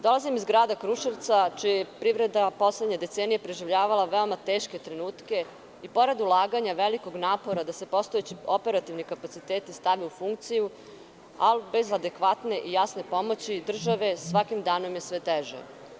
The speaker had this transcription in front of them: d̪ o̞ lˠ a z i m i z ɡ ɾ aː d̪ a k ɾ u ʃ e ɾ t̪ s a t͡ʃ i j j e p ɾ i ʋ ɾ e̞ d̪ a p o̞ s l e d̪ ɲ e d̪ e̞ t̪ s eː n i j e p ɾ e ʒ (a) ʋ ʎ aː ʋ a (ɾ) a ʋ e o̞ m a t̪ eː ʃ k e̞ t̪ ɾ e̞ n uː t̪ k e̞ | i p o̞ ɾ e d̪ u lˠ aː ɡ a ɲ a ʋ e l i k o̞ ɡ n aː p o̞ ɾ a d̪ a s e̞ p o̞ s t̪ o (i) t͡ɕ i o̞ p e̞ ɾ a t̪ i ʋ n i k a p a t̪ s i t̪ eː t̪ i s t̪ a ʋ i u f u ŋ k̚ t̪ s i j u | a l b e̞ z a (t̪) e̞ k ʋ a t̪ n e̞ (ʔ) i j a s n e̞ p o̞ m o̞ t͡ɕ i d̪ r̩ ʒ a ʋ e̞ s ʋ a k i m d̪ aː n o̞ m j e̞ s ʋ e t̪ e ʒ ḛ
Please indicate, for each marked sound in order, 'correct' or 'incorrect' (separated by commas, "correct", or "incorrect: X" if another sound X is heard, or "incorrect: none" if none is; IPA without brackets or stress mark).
incorrect: i, incorrect: l, incorrect: e, incorrect: d̪, correct